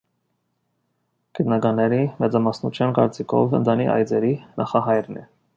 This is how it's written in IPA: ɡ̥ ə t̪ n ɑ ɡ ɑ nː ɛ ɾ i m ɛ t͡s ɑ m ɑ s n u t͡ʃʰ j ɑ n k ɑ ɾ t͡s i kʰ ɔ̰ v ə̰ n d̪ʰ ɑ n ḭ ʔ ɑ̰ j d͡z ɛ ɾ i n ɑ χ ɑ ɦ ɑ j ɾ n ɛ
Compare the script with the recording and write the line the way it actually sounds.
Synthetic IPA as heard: ɡ̥ ə t̪ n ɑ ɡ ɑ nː ɛ ɾ i m ɛ t͡s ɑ m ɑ s n u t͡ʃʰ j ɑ n k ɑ ɾ t͡s i kʰ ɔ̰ v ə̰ n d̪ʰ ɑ n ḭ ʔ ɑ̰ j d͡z ɛ ɾ i n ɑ χ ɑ ɦ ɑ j ɾ n ɛ

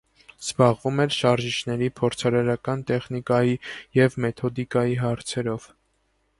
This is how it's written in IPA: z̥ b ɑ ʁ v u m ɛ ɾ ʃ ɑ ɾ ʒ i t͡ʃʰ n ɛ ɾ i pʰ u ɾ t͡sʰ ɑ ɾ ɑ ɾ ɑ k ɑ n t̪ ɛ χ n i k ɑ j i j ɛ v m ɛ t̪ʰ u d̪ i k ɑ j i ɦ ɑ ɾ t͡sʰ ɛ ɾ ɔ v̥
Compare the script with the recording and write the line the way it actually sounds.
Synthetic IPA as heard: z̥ b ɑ ʁ v u m ɛ ɾ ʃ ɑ ɾ ʒ i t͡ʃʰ n ɛ ɾ i pʰ ɔ ɾ t͡sʰ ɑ ɾ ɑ ɾ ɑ k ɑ n t̪ ɛ χ n i k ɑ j i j ɛ v m ɛ t̪ʰ ɔ d̪ i k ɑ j i ɦ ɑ ɾ t͡sʰ ɛ ɾ ɔ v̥

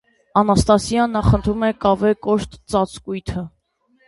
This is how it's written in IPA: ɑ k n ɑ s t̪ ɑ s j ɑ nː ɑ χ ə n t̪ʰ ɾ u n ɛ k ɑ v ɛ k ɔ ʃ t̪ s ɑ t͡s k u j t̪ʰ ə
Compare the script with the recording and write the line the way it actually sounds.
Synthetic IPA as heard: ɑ n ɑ s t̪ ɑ s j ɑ nː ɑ χ ə n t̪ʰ ɾ u m ɛ k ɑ v ɛ k ɔ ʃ t̪ t͡s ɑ t͡s k u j t̪ʰ ə

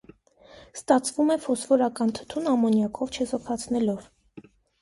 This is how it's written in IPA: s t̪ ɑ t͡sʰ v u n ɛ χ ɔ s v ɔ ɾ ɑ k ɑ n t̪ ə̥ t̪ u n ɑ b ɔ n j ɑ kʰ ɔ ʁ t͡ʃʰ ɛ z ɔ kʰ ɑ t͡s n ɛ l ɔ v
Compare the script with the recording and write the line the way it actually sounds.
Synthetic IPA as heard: s t̪ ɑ t͡sʰ v u m ɛ f ɔ s v ɔ ɾ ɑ k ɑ n t̪ʰ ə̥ t̪ʰ u n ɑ m ɔ n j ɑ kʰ ɔ v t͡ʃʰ ɛ z ɔ kʰ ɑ t͡sʰ n ɛ l ɔ v

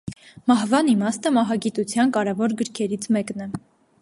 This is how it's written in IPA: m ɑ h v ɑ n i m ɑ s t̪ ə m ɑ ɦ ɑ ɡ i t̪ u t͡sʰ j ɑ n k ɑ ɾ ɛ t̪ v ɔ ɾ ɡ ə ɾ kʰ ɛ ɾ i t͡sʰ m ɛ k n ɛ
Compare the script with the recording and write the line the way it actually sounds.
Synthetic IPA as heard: m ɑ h v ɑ n i m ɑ s t̪ ə m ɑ ɦ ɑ ɡ i t̪ u t͡sʰ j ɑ n k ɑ ɾ ɛ v ɔ ɾ ɡ ə ɾ kʰ ɛ ɾ i t͡sʰ m ɛ k n ɛ

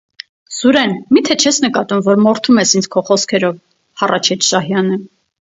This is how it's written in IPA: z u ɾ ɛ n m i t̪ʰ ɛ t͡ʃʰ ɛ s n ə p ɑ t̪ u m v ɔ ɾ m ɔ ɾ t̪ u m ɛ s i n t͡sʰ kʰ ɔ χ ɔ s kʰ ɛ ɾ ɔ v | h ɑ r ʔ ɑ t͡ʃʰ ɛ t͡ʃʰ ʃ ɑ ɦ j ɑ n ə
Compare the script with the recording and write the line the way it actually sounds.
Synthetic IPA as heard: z u ɾ ɛ n m i t̪ʰ ɛ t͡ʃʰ ɛ s n ə k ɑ t̪ u m v ɔ ɾ m ɔ ɾ t̪ʰ u m ɛ s i n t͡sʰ kʰ ɔ χ ɔ s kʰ ɛ ɾ ɔ v | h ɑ r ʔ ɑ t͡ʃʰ ɛ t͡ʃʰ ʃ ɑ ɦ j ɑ n ə

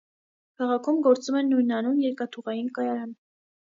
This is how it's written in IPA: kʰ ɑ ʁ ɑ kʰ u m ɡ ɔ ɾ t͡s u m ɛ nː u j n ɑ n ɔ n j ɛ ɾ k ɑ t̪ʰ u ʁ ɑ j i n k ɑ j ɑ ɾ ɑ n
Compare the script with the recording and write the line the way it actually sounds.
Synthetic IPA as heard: kʰ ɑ ʁ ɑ kʰ u m ɡ ɔ ɾ t͡s u m ɛ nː u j n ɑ n u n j ɛ ɾ k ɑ t̪ʰ u ʁ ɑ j i n k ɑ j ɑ ɾ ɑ n

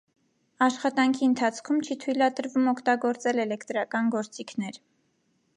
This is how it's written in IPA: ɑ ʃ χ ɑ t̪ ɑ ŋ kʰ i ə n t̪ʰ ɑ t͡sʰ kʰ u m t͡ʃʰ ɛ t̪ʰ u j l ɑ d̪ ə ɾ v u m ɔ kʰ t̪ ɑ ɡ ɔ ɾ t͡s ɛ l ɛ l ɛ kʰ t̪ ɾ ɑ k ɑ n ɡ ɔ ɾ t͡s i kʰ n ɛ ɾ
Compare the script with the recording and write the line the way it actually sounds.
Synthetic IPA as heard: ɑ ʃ χ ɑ t̪ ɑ ŋ kʰ i ə n t̪ʰ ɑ t͡sʰ kʰ u m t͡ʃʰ i t̪ʰ u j l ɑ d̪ ə ɾ v u m ɔ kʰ t̪ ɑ ɡ ɔ ɾ t͡s ɛ l ɛ l ɛ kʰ t̪ ɾ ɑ k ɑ n ɡ ɔ ɾ t͡s i kʰ n ɛ ɾ

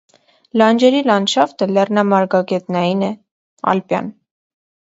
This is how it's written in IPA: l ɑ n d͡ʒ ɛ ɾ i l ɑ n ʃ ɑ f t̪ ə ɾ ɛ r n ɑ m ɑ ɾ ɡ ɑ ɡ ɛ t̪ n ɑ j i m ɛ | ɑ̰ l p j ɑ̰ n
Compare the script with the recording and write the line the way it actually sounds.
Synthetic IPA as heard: l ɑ n d͡ʒ ɛ ɾ i l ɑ n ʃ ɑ f t̪ ə l ɛ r n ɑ m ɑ ɾ ɡ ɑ ɡ ɛ t̪ n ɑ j i n ɛ | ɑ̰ l p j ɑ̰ n

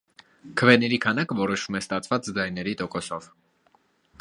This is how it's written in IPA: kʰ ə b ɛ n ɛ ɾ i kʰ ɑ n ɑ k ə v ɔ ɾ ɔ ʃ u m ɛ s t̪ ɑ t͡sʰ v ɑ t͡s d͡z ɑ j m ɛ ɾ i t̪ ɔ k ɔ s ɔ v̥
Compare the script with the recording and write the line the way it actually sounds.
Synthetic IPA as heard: kʰ ə v ɛ n ɛ ɾ i kʰ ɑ n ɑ k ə v ɔ ɾ ɔ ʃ u m ɛ s t̪ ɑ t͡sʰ v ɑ t͡s d͡z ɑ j n ɛ ɾ i t̪ ɔ k ɔ s ɔ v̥

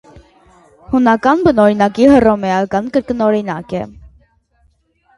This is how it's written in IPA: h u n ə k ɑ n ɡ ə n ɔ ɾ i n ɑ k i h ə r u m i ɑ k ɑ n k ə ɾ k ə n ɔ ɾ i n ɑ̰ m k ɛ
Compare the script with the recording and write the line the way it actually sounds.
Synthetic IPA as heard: h u n ɑ k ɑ n b ə n ɔ ɾ i n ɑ k i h ə r ɔ m ɛ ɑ k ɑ n k ə ɾ k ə n ɔ ɾ i n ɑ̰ k ɛ

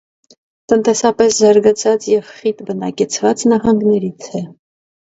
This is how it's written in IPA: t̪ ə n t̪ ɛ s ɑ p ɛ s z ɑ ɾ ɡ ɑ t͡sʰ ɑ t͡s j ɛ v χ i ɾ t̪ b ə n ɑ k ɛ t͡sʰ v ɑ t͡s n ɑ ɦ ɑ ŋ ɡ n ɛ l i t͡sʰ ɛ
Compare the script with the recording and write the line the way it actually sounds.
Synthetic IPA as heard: t̪ ə n t̪ ɛ s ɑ p ɛ s z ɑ ɾ ɡ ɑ t͡sʰ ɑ t͡s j ɛ v χ i t̪ b ə n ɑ k ɛ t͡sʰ v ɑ t͡s n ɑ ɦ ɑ ŋ ɡ n ɛ ɾ i t͡sʰ ɛ

